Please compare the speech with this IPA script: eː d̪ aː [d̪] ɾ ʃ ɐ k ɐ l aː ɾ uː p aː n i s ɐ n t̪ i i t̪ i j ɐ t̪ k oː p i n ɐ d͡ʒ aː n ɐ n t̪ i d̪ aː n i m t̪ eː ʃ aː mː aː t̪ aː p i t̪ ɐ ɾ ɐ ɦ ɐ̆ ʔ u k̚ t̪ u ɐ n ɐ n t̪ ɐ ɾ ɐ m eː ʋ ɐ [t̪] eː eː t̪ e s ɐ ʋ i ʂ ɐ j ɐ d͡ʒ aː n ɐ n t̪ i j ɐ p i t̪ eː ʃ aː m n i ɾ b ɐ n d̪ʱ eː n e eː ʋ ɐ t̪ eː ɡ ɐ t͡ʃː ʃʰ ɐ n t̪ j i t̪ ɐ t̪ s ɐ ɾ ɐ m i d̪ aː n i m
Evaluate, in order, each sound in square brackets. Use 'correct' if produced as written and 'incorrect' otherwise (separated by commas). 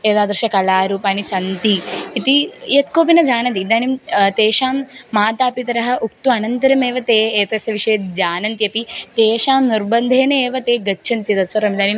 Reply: correct, correct